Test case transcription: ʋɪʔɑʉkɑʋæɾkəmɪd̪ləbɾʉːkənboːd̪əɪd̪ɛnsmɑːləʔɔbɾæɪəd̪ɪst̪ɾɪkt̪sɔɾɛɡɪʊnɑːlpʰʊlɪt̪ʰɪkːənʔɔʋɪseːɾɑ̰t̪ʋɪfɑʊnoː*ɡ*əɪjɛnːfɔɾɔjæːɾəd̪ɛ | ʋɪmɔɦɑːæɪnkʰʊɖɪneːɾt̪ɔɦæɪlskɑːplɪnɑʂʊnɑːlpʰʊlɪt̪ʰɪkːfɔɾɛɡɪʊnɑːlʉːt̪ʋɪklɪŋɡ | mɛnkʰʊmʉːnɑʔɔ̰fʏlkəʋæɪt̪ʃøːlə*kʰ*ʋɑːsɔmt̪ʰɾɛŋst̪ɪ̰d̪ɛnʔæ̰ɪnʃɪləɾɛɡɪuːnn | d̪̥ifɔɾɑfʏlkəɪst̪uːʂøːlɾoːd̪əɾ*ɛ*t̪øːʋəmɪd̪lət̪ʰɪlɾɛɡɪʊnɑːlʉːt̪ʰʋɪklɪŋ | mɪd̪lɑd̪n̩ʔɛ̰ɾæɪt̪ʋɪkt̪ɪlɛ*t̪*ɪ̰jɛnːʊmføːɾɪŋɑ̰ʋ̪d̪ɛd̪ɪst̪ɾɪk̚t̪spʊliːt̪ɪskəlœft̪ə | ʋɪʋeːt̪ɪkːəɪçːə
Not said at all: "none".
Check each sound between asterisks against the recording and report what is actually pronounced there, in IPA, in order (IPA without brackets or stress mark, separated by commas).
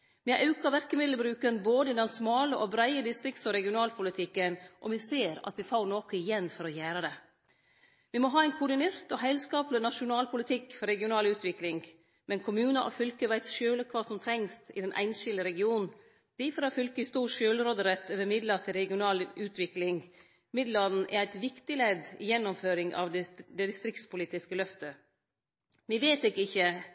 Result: k, kʰ, ɛ, d̪